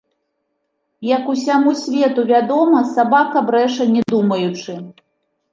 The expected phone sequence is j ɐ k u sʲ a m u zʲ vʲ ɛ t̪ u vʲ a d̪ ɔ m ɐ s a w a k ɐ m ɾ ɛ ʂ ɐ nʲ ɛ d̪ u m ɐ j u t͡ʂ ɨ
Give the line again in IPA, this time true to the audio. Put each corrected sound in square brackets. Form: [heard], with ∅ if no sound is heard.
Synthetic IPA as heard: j ɐ k u sʲ a m u [sʲ] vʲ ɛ t̪ u vʲ a d̪ ɔ m ɐ s a [b] a k ɐ [b] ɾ ɛ ʂ ɐ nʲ ɛ d̪ u m ɐ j u t͡ʂ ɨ